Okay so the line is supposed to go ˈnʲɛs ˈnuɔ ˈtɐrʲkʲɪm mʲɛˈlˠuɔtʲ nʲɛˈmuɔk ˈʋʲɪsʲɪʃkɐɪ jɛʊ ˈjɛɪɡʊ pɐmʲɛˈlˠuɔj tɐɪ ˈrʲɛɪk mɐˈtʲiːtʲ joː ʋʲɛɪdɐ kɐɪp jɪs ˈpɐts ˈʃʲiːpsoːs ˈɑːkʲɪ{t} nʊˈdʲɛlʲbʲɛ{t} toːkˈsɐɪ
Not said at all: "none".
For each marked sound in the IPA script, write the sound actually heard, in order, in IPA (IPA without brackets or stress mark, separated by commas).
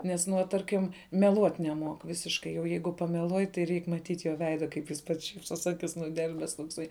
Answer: s, s